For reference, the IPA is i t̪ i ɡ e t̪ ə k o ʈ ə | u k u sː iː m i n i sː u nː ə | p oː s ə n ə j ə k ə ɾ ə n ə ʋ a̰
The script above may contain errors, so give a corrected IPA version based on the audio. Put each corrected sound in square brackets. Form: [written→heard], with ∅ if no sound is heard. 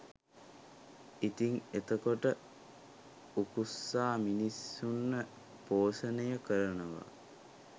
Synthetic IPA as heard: i t̪ i [ɡ→ŋ] e t̪ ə k o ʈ ə | u k u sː [iː→aː] m i n i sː u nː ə | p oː s ə n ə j ə k ə ɾ ə n ə ʋ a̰